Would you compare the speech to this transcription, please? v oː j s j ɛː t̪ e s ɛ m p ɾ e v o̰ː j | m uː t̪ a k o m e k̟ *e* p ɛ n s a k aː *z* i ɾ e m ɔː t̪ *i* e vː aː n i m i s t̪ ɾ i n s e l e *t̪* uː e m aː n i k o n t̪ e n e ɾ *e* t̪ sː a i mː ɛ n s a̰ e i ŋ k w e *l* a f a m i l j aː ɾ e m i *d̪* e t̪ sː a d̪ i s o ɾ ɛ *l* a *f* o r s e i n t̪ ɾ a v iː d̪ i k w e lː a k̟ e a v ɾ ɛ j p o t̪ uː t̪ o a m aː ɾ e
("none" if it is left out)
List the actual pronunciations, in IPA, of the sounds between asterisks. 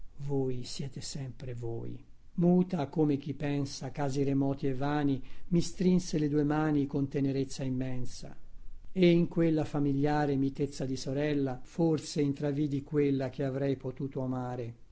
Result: i, z, i, d̪, e, lː, t̪, lː, f

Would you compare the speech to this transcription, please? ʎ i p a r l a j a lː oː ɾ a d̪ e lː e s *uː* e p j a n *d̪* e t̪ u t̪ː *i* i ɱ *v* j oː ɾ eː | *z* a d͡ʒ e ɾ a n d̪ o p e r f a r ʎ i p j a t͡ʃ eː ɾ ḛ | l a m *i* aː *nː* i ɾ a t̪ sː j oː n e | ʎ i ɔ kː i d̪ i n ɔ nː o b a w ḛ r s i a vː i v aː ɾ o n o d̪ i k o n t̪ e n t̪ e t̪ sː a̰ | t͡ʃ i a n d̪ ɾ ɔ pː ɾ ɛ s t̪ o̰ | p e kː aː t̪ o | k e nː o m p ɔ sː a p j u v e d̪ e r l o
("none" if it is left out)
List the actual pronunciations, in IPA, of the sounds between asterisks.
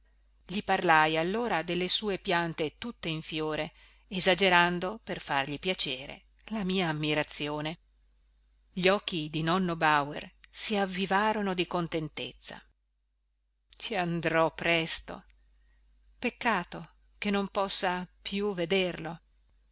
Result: uː, t̪, e, f, z, iː, mː

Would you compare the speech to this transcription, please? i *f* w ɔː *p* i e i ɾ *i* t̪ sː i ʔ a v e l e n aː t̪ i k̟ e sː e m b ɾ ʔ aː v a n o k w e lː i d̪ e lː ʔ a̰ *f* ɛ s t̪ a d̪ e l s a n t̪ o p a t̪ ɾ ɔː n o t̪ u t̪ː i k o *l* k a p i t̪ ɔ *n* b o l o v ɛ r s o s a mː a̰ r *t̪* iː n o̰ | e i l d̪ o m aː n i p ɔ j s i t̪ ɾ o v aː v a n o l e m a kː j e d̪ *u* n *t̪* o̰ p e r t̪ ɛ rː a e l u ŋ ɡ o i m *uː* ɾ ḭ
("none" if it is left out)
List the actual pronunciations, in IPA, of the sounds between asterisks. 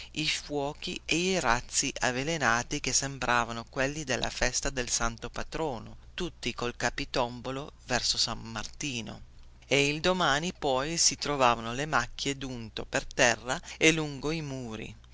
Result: f, k, a, f, l, m, t̪, u, t̪, uː

